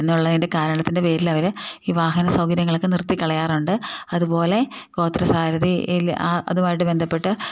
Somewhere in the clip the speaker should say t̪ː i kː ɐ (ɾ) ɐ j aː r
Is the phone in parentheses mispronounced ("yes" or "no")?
yes